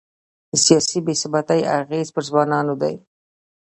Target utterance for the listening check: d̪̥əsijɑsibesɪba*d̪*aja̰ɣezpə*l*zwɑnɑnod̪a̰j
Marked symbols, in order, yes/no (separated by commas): no, no